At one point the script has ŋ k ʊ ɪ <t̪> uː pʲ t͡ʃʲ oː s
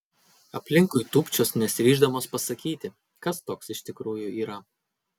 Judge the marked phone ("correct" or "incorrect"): correct